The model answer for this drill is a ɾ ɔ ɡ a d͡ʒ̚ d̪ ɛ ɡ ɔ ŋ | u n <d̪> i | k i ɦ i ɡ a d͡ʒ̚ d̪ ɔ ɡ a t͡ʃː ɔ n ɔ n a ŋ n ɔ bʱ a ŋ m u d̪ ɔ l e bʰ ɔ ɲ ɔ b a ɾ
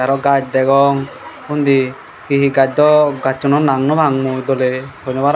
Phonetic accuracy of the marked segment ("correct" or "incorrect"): correct